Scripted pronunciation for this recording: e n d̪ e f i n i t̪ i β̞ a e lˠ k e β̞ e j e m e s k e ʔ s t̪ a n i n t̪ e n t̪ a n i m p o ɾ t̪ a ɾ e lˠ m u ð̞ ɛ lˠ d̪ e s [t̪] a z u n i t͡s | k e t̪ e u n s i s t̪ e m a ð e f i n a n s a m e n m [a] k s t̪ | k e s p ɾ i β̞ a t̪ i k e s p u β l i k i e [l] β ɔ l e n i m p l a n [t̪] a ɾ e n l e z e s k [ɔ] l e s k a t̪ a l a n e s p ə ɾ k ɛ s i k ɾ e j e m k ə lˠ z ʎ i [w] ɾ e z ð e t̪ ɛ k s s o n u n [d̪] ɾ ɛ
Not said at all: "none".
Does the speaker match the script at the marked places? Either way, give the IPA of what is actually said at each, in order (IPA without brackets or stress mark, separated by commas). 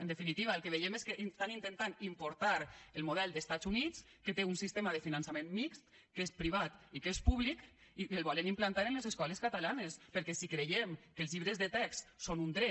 t̪, i, l, t̪, ɔ, β, d̪